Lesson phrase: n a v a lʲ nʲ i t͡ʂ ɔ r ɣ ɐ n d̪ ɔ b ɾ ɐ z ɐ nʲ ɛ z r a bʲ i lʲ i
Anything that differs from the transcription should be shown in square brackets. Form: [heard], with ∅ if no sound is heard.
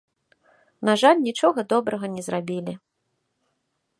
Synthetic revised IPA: n a [ʐ] a lʲ nʲ i t͡ʂ ɔ [∅] ɣ ɐ [∅] d̪ ɔ b ɾ ɐ [ɣ] ɐ nʲ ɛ z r a bʲ i lʲ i